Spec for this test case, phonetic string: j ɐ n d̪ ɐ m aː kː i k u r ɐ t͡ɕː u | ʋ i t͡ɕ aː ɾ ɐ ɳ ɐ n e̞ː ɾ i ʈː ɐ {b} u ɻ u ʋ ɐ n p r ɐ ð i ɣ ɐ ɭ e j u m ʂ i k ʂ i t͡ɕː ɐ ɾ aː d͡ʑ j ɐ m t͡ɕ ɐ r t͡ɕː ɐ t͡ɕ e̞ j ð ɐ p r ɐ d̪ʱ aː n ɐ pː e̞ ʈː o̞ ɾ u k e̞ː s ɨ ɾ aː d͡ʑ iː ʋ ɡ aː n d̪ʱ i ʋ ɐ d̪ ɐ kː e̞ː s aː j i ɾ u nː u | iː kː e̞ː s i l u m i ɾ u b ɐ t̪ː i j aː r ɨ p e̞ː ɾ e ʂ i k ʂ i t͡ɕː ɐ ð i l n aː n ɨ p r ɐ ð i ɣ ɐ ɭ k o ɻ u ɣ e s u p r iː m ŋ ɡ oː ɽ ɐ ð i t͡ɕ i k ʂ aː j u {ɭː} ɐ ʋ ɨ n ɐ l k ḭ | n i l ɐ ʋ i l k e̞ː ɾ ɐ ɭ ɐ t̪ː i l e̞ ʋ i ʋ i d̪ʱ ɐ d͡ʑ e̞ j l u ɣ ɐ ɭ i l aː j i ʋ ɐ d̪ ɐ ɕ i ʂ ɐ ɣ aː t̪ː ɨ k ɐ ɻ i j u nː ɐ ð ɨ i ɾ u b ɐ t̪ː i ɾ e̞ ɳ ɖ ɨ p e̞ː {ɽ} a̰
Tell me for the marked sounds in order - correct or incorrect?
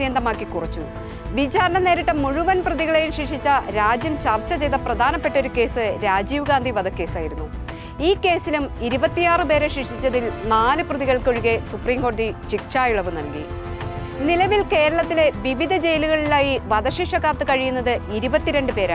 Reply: incorrect: m, incorrect: ɭ, incorrect: ɾ

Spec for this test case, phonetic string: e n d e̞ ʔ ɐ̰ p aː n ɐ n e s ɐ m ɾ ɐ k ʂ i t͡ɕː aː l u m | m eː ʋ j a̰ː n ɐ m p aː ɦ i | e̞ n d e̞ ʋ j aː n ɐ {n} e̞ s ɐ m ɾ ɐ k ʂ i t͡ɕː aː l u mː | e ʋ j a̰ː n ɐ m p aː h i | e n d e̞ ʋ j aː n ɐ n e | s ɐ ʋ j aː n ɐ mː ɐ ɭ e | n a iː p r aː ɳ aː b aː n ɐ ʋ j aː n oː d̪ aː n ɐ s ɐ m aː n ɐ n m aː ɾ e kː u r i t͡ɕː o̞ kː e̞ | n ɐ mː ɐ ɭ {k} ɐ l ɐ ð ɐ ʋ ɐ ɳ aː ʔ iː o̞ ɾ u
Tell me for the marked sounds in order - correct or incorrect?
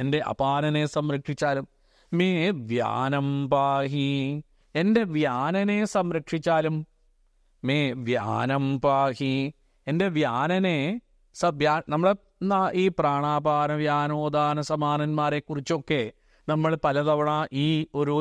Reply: correct, incorrect: p

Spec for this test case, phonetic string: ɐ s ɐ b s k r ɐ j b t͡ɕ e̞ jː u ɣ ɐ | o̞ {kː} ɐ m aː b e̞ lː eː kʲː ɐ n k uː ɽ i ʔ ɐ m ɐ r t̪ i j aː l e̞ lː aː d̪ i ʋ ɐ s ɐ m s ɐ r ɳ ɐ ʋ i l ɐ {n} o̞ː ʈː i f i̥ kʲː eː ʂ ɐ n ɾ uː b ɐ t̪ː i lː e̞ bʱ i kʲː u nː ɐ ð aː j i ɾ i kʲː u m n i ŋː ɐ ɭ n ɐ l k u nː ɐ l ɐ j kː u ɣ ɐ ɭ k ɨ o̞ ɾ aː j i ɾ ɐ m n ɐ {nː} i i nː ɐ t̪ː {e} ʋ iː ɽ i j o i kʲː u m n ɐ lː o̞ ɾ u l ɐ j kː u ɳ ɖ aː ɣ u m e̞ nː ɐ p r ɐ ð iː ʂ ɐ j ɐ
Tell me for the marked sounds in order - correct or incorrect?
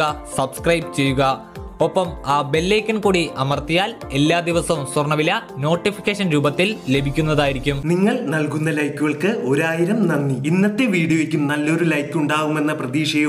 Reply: incorrect: pː, correct, correct, correct

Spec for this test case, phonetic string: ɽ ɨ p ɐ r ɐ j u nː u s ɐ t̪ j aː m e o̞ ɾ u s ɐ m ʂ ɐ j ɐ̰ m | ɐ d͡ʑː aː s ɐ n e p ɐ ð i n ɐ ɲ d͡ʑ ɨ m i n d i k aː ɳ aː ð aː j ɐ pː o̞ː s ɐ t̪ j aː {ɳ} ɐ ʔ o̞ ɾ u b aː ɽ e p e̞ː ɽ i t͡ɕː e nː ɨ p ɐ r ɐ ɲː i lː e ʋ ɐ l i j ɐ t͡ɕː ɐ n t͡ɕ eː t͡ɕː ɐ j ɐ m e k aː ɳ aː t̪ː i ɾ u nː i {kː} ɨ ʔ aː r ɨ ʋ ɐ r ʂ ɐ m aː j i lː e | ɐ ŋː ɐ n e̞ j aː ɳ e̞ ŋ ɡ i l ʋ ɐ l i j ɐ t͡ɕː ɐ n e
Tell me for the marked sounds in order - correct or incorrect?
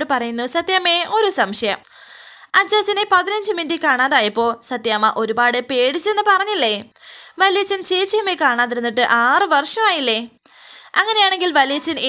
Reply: incorrect: m, incorrect: ʈː

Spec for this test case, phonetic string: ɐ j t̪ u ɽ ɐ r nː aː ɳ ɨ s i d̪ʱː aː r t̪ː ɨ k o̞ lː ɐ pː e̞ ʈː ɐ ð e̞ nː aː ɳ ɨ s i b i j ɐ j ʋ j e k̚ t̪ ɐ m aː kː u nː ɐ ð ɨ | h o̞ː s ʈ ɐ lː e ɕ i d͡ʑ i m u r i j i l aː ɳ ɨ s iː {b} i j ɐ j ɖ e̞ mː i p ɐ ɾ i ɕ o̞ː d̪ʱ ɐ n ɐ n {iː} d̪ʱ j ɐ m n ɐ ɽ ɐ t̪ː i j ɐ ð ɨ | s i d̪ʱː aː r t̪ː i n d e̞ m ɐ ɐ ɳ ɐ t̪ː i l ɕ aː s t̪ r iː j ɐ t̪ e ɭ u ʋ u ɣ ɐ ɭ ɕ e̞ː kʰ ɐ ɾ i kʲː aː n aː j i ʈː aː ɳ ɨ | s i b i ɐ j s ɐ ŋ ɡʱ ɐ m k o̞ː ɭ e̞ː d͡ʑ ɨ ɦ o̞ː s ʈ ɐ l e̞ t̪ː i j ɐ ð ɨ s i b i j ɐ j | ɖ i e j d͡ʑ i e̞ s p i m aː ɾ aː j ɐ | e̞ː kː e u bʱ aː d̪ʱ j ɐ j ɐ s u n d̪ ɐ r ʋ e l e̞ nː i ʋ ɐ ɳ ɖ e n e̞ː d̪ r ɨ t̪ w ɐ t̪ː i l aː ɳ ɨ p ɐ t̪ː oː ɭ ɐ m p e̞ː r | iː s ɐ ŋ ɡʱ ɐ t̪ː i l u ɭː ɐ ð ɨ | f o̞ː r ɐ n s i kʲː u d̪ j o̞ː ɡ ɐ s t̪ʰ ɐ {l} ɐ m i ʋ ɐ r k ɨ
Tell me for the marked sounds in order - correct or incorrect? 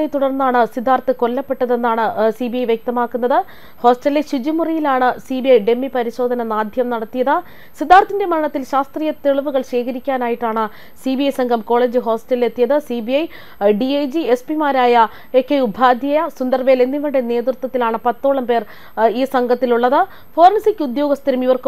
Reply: correct, incorrect: aː, incorrect: ɾ

